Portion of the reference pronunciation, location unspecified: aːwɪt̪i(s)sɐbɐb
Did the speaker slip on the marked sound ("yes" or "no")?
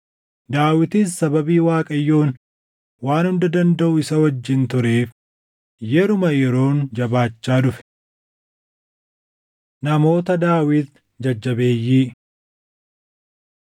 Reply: no